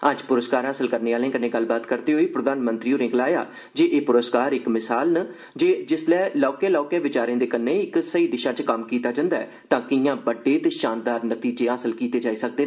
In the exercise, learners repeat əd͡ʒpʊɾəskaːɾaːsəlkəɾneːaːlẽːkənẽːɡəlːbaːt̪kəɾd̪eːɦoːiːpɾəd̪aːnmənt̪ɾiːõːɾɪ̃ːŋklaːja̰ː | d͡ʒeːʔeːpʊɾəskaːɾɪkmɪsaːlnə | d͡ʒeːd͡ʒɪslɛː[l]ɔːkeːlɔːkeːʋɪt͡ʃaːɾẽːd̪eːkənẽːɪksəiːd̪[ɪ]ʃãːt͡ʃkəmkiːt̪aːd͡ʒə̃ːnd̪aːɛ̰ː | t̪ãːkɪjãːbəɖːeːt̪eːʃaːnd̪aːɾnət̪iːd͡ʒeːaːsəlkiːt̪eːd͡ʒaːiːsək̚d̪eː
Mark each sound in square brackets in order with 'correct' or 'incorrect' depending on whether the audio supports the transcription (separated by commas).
correct, correct